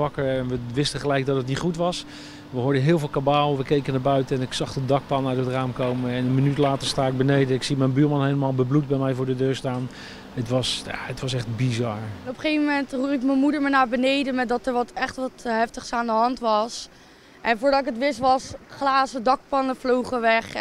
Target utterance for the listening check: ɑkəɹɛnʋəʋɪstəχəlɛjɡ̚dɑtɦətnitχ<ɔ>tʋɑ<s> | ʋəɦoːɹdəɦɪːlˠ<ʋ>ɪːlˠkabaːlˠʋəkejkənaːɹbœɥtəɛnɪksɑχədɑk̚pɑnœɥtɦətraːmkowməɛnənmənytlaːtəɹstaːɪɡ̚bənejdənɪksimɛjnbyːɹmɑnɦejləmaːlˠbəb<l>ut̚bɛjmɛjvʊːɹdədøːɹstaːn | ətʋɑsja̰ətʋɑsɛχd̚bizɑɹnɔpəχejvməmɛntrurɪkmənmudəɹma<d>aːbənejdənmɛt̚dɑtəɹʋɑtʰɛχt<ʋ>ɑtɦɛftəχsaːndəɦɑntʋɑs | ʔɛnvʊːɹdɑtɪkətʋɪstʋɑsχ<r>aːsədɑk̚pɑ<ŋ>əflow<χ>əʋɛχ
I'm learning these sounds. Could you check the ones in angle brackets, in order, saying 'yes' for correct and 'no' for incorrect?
no, yes, no, yes, no, yes, no, no, yes

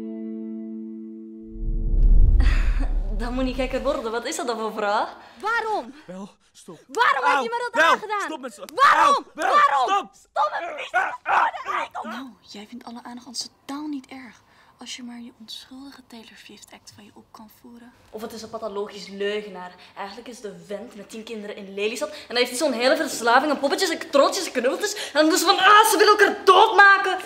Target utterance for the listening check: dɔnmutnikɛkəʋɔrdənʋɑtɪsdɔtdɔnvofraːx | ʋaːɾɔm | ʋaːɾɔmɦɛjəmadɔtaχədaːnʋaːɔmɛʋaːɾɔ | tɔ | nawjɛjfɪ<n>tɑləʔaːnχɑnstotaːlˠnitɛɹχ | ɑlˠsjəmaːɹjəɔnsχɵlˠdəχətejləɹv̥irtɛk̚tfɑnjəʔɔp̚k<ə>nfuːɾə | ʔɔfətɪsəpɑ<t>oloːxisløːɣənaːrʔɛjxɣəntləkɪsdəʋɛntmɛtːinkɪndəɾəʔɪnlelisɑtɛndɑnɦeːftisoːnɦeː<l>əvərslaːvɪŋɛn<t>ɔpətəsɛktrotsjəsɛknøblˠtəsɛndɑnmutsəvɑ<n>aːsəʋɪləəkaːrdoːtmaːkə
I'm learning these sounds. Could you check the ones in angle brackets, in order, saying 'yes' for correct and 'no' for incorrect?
yes, no, yes, yes, no, yes

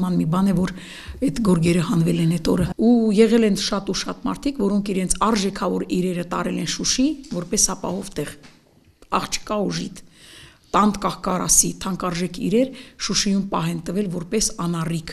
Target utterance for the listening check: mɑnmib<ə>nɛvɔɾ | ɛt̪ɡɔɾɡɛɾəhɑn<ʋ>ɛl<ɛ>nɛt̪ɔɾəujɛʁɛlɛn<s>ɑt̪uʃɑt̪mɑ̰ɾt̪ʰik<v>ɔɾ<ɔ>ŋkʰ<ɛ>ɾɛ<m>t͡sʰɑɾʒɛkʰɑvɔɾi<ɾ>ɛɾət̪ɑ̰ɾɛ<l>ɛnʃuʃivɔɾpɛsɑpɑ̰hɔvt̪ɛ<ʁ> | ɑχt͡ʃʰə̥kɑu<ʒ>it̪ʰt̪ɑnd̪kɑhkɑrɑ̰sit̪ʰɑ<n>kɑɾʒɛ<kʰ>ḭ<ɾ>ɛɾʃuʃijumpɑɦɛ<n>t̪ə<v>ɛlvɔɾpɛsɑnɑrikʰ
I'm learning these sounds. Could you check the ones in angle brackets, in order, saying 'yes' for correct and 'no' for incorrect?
no, no, yes, no, yes, yes, no, no, yes, yes, yes, yes, no, yes, yes, yes, yes

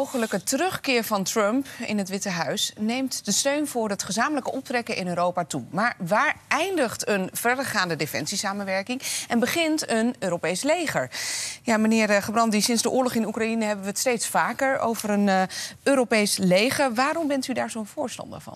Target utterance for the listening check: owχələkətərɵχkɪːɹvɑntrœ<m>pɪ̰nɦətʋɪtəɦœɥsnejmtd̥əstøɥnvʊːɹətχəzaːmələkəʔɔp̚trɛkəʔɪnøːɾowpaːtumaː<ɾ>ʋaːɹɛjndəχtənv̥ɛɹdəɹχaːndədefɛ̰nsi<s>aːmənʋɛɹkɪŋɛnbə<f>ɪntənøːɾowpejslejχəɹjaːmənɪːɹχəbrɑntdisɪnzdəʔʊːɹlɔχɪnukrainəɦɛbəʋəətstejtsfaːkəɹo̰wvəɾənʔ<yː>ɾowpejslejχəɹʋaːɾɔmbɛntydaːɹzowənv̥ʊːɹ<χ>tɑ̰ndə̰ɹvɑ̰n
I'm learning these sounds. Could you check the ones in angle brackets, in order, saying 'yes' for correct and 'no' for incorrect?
yes, no, yes, no, no, no

